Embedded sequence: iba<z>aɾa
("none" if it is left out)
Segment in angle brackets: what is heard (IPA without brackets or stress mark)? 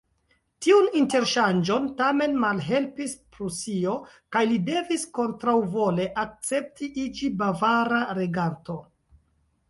v